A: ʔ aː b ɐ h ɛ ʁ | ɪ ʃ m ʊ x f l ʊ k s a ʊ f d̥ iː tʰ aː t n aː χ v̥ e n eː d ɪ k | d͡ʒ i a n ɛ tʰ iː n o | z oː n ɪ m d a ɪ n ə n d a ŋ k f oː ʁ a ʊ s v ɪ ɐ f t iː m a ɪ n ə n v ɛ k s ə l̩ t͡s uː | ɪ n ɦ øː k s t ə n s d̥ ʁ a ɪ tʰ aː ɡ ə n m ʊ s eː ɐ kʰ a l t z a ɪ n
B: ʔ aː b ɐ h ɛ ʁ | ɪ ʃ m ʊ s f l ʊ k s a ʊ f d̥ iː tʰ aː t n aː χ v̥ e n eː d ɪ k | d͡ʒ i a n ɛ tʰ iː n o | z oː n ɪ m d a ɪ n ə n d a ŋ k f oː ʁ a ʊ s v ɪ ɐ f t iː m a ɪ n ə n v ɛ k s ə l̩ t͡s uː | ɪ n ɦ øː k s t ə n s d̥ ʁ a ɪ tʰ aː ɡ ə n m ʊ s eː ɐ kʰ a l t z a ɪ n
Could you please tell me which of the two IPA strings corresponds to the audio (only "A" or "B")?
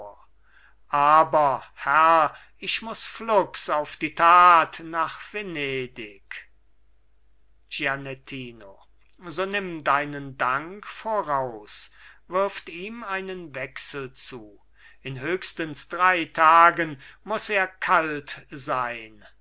B